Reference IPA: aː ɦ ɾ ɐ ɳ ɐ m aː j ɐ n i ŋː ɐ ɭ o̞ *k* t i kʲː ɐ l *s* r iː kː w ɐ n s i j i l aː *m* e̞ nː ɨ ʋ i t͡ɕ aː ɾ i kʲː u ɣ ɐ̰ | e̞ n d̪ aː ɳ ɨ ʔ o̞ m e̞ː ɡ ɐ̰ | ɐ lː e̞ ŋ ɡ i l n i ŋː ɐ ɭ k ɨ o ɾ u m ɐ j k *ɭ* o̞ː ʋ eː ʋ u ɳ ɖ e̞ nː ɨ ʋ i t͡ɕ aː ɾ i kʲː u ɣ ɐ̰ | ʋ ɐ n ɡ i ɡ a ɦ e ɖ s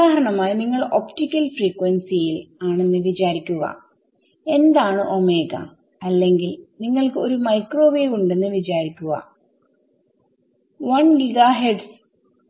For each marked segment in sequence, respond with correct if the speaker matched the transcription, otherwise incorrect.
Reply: incorrect, incorrect, incorrect, incorrect

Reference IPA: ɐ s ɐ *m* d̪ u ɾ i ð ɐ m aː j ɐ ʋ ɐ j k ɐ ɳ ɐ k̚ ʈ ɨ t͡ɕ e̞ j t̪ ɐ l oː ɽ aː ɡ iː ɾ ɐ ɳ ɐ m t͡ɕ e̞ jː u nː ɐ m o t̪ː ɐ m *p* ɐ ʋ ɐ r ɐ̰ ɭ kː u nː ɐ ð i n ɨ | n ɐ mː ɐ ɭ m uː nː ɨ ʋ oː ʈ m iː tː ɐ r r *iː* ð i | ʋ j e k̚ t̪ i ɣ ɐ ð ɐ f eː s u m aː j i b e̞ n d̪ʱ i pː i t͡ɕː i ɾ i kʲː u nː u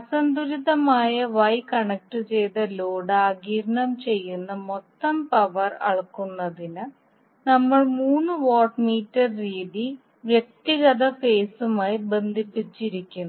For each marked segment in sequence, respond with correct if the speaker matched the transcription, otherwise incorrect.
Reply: incorrect, correct, correct

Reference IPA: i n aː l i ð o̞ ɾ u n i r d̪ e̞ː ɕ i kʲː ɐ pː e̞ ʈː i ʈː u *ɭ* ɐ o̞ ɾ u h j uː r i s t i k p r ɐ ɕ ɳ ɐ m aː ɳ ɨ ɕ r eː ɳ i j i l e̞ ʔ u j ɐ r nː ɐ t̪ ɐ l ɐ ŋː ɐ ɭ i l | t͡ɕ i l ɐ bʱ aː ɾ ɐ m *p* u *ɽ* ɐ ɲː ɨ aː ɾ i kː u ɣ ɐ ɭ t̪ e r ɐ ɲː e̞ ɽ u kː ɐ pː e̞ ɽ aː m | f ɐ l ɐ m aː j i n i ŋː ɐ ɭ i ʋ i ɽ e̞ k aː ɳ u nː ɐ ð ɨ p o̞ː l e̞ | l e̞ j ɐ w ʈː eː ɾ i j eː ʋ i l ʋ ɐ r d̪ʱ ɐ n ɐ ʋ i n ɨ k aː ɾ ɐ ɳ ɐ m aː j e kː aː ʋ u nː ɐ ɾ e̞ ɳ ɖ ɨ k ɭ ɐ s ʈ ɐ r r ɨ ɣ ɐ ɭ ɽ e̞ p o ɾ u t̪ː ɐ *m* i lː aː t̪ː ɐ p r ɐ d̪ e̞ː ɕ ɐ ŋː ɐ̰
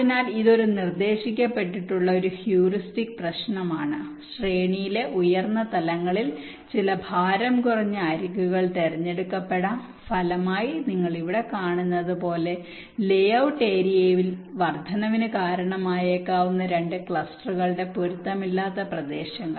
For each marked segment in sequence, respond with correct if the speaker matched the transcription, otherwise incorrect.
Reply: incorrect, incorrect, incorrect, correct

